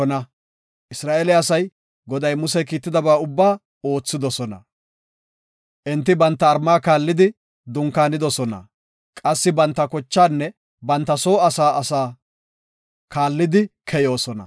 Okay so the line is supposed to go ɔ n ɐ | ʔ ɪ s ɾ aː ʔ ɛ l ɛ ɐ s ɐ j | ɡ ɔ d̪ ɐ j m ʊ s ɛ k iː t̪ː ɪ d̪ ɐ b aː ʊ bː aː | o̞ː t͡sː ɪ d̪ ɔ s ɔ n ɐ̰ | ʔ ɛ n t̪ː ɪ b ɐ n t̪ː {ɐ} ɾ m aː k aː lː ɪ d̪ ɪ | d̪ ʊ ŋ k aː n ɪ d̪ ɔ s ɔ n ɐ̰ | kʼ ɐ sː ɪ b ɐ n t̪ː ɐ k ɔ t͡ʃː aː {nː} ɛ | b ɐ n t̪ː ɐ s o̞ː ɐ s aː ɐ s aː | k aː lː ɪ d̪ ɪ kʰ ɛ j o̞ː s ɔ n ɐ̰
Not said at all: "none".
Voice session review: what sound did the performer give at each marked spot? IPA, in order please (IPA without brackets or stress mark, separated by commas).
ɐː, nː